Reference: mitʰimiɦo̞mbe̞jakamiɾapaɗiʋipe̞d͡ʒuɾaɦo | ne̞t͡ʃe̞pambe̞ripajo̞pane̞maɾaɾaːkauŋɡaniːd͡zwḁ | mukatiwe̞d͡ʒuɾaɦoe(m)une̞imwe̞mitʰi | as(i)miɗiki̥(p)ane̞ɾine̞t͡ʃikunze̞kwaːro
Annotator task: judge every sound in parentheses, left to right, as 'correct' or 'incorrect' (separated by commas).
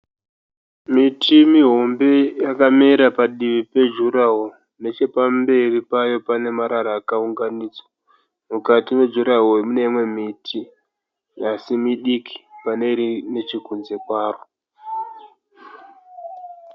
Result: correct, correct, correct